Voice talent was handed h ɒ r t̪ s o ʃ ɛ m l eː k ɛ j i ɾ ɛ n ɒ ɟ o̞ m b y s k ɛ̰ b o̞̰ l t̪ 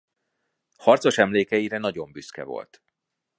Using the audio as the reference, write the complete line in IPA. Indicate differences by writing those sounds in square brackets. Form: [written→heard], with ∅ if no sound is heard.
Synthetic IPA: h ɒ r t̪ s o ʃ ɛ m l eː k ɛ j i ɾ ɛ n ɒ ɟ o̞ m b y s k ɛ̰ [b→v] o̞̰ l t̪